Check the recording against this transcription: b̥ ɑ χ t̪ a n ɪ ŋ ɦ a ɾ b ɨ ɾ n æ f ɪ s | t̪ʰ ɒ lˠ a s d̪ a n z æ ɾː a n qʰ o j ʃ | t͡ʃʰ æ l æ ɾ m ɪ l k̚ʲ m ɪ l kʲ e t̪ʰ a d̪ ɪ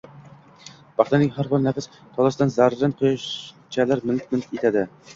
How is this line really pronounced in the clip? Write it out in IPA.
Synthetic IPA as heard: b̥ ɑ χ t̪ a n ɪ ŋ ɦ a ɾ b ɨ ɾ n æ f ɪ s | t̪ʰ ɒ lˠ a s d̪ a n z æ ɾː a n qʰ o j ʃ | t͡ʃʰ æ l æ ɾ m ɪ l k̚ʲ m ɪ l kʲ e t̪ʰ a d̪ ɪ